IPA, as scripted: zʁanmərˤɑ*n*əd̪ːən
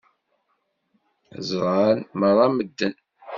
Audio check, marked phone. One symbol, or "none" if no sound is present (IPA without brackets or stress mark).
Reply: m